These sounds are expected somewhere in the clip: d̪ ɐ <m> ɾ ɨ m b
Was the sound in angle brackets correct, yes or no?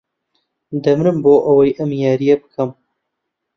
yes